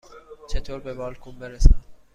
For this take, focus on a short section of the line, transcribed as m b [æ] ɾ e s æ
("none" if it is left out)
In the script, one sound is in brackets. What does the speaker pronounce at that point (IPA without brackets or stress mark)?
e